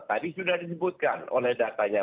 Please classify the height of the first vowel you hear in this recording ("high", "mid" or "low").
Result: low